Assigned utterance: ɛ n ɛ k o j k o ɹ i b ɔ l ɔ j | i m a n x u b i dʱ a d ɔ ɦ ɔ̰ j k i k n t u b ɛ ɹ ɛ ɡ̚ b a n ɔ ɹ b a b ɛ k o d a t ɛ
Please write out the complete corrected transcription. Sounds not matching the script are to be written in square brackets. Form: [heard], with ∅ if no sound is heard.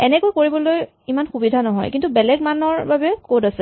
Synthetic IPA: ɛ n ɛ k o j k o ɹ i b ɔ l [o] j | i m a n x u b i dʱ a [n] ɔ ɦ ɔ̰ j k i [∅] n t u b ɛ [l] ɛ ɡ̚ [m] a n ɔ ɹ b a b ɛ k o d a [s] ɛ